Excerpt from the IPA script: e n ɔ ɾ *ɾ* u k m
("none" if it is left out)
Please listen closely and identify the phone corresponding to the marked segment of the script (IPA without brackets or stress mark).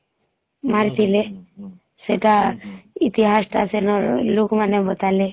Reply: l